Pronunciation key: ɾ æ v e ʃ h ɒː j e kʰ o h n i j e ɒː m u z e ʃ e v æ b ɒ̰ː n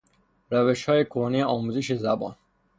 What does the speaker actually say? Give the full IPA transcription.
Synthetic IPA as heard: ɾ æ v e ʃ h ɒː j e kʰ o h n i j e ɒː m u z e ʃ e z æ b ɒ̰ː n